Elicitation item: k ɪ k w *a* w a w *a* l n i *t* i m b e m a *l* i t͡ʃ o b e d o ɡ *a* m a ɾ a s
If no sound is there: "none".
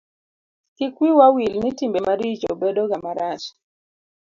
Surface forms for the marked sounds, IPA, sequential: i, i, t, ɾ, a

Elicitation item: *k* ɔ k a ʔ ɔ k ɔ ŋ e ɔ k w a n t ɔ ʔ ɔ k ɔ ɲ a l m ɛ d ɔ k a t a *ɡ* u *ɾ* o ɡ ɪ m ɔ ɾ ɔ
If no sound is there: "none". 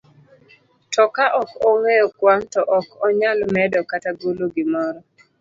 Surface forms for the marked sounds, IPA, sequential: t, ɡ, l

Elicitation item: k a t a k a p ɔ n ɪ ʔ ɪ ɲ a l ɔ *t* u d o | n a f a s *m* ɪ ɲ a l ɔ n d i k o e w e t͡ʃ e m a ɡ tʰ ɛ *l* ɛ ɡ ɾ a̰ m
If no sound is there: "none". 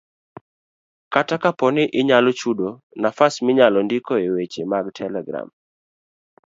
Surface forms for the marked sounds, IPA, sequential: t͡ʃ, m, l

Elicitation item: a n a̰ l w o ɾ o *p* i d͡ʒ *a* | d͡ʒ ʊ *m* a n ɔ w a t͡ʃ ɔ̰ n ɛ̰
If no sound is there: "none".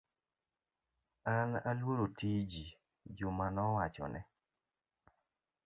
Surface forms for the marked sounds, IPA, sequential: t, i, m

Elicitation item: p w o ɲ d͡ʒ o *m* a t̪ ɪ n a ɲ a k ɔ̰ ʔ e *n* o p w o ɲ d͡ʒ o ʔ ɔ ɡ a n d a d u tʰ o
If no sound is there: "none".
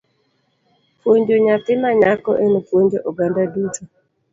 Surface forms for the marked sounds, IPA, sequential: ɲ, n

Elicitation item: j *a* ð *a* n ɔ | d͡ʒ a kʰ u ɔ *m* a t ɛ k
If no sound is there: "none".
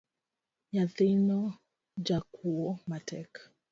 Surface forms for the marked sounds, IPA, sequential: a, i, m

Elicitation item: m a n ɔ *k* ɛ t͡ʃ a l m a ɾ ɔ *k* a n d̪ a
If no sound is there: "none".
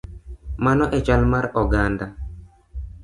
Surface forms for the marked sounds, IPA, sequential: ʔ, ɡ

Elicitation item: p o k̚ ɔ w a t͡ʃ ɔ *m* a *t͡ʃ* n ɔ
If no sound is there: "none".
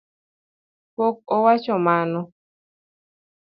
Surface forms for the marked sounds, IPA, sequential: m, none

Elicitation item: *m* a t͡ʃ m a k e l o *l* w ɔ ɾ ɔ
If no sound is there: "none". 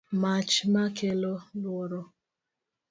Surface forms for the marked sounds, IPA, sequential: m, l

